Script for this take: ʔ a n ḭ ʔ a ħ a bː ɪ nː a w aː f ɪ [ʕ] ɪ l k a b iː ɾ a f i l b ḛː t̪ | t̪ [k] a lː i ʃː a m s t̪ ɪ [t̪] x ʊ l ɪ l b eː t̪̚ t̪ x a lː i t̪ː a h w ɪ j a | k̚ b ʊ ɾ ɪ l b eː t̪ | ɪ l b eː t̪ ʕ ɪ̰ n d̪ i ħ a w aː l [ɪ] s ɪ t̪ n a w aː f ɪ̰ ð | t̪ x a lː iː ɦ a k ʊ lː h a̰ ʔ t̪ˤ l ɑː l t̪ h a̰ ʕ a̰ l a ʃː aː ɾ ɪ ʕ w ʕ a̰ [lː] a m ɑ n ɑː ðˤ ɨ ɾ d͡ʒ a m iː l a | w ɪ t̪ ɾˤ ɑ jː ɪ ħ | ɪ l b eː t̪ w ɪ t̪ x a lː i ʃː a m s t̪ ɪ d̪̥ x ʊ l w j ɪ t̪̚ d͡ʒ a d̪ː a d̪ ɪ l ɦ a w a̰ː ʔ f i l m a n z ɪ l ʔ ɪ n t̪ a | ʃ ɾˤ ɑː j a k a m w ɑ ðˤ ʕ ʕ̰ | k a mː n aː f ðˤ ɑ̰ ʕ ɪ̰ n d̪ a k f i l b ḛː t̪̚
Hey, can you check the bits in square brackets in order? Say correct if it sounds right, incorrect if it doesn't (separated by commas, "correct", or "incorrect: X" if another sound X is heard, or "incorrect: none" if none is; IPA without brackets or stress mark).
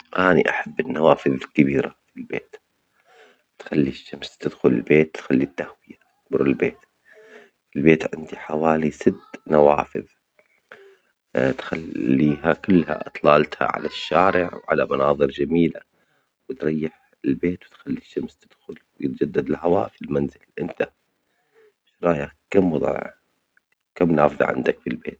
incorrect: ð, incorrect: x, incorrect: d̪, incorrect: i, incorrect: l